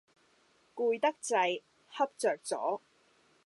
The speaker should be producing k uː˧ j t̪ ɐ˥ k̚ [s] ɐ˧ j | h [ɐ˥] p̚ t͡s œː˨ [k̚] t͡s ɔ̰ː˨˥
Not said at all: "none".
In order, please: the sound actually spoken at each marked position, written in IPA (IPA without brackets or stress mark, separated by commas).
t͡s, ɐ˥, k̚